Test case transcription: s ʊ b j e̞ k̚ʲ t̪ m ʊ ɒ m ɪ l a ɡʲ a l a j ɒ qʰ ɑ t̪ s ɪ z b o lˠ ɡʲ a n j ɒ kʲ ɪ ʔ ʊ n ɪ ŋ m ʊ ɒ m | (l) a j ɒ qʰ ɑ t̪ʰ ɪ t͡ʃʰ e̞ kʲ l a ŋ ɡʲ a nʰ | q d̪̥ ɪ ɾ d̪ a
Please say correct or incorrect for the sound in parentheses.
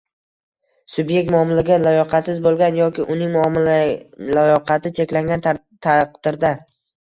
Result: correct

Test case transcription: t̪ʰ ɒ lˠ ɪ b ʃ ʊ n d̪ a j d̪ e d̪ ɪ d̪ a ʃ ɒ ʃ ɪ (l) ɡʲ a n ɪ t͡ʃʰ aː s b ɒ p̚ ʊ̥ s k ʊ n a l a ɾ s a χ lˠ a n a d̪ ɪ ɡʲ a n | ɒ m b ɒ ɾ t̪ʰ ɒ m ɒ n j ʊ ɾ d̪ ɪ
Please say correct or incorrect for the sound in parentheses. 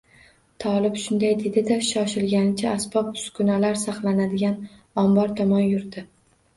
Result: correct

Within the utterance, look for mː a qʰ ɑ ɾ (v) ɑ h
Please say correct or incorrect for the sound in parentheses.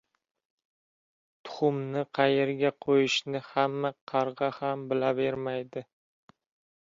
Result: incorrect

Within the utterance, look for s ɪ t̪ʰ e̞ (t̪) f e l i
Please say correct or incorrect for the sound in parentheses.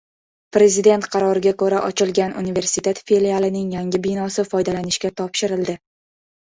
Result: correct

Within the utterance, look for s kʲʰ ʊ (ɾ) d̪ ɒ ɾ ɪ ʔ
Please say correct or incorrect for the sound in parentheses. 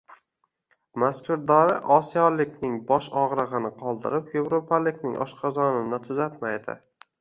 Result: correct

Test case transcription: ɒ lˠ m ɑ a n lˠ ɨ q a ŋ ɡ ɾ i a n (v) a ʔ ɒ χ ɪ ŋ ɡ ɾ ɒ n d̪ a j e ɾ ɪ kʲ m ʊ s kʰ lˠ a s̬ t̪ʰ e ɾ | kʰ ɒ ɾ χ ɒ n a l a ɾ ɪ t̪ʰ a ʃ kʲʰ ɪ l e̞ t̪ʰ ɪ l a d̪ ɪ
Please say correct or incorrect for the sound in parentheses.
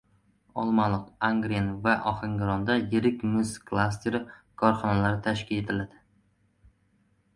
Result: correct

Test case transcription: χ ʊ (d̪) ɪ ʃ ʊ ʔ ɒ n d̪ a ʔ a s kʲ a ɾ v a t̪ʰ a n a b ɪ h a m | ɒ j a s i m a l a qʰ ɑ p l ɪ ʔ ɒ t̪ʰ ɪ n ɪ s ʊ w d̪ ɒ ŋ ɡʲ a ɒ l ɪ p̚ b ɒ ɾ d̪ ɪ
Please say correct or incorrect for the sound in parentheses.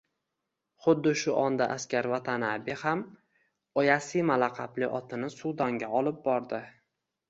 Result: incorrect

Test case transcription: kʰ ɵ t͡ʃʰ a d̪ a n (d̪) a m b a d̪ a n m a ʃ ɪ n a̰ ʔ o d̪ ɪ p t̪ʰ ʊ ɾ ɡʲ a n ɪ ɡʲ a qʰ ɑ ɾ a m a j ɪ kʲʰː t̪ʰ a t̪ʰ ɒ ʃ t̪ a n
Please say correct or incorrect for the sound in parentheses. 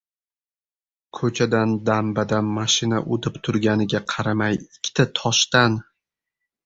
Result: correct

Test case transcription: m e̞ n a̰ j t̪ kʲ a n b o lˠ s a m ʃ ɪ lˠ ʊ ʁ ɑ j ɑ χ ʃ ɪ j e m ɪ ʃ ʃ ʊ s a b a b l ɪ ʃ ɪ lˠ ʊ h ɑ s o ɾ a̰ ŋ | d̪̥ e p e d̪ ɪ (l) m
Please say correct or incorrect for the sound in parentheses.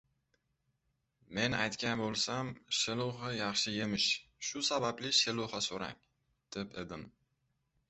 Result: incorrect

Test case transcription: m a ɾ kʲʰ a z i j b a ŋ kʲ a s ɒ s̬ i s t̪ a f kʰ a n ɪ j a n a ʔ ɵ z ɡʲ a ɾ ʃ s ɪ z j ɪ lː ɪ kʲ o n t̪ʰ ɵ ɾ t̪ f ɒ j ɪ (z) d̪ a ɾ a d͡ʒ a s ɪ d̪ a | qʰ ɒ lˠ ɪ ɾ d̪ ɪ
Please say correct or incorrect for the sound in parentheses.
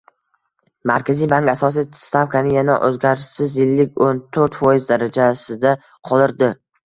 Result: correct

